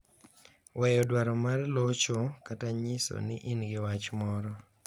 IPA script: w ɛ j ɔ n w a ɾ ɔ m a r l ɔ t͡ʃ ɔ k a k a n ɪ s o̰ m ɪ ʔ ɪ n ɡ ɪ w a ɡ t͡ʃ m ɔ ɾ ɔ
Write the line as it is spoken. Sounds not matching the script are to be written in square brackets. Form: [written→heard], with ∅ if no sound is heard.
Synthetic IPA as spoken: w ɛ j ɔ [n→d] w a ɾ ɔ m a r l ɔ t͡ʃ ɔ k a [k→t] a [n→ɲ] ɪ s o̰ [m→n] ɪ ʔ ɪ n ɡ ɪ w a [ɡ→∅] t͡ʃ m ɔ ɾ ɔ